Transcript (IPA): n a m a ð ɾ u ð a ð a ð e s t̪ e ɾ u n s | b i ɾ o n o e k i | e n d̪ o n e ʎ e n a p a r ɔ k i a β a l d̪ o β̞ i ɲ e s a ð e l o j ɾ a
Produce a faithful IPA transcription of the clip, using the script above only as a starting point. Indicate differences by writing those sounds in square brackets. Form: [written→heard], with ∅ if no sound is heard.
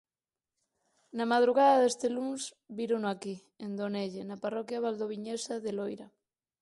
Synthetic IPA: n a m a ð ɾ u [ð→ɣ] a ð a ð e s t̪ e [ɾ→l] u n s | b i ɾ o n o [e→a] k i | e n d̪ o n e ʎ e n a p a r ɔ k [i→j] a β a l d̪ o β̞ i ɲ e s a ð e l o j ɾ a